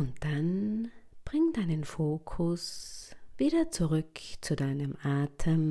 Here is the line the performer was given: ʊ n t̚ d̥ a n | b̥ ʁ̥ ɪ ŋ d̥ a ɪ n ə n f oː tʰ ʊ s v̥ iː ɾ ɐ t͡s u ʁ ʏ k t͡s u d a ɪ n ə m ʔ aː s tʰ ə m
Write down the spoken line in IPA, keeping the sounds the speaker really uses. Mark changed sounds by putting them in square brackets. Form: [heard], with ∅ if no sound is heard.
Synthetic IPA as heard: ʊ n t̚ d̥ a n | b̥ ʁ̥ ɪ ŋ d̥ a ɪ n ə n f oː [kʰ] ʊ s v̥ iː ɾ ɐ t͡s u ʁ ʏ k t͡s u d a ɪ n ə m ʔ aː [∅] tʰ ə m